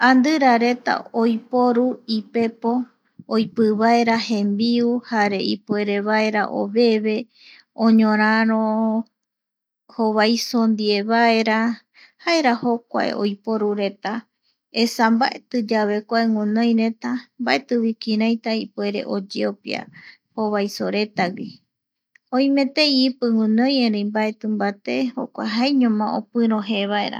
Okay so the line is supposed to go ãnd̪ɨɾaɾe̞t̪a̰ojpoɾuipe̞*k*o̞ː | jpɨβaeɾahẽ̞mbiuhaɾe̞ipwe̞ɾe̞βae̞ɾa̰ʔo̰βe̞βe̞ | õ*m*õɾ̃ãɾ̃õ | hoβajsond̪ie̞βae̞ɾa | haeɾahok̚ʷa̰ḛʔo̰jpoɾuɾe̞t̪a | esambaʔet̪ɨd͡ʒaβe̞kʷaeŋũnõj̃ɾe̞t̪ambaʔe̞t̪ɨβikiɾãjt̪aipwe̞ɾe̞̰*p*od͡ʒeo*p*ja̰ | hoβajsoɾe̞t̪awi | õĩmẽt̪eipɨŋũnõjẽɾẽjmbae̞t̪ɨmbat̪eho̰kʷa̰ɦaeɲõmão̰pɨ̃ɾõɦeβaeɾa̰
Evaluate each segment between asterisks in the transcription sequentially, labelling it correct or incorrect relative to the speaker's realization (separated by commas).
incorrect, incorrect, incorrect, correct